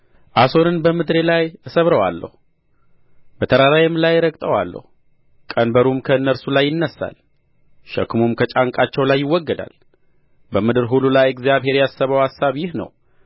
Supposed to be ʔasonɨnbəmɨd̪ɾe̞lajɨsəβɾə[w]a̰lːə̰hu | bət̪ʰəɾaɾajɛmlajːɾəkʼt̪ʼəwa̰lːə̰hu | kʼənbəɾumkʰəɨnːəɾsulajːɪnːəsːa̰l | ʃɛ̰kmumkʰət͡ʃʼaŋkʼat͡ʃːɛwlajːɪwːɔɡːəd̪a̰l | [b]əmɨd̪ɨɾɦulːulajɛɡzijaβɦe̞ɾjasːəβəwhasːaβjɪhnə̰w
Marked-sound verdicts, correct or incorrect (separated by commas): correct, correct